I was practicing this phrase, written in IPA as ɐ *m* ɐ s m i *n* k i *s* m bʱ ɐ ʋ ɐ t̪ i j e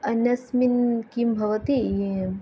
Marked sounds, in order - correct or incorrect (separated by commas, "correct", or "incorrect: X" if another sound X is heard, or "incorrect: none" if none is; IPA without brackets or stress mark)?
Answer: incorrect: n, correct, incorrect: none